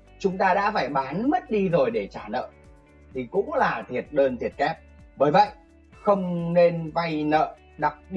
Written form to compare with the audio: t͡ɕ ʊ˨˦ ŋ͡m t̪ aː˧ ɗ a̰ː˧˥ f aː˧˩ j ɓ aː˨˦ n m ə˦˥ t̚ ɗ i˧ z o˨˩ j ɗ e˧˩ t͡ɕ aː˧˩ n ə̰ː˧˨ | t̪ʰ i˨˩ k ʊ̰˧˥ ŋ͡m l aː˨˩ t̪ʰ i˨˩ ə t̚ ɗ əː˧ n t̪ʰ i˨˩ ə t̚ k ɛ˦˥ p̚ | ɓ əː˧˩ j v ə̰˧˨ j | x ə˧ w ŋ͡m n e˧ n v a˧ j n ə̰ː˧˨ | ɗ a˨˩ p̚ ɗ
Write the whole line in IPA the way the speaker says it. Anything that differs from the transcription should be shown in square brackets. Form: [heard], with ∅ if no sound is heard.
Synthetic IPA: t͡ɕ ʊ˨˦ ŋ͡m t̪ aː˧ ɗ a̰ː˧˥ f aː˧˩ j ɓ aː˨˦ n m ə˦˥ t̚ ɗ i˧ z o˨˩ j ɗ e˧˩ t͡ɕ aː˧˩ n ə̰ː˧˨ | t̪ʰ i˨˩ k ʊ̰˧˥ ŋ͡m l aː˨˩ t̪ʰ i˨˩ ə t̚ ɗ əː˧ n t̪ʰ i˨˩ ə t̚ k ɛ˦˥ p̚ | ɓ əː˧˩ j v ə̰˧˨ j | x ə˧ w ŋ͡m n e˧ n v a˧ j n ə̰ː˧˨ | ɗ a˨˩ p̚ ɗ